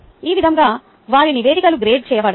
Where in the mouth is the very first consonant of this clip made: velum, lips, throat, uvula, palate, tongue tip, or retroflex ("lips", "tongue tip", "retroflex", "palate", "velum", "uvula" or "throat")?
lips